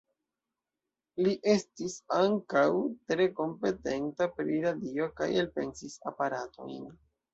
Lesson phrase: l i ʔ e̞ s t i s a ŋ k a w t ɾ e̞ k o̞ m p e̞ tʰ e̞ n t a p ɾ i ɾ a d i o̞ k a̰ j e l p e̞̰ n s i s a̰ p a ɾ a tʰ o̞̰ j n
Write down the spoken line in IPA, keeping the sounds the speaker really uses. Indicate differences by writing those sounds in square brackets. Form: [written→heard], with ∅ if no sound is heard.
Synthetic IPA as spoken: l i ʔ e̞ s t i s a ŋ k a w t ɾ e̞ k o̞ m p e̞ [tʰ→t] e̞ n t a p ɾ i ɾ a d i o̞ k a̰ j e l p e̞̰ n s i s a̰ p a ɾ a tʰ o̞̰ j n